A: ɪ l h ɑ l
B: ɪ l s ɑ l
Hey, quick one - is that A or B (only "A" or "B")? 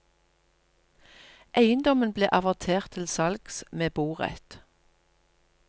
B